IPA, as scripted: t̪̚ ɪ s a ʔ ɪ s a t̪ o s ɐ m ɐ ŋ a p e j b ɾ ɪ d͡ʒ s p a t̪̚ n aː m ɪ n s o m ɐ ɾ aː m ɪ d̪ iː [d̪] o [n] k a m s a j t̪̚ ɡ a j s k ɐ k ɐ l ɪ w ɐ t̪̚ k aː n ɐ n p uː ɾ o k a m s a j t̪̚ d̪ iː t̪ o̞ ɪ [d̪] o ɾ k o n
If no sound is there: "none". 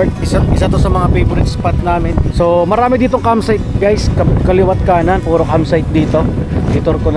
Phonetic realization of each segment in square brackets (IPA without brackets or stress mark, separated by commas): t̪, ŋ, t̪